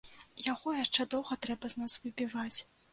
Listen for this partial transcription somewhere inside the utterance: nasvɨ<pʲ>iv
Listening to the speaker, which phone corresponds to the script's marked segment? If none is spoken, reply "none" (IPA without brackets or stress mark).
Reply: bʲ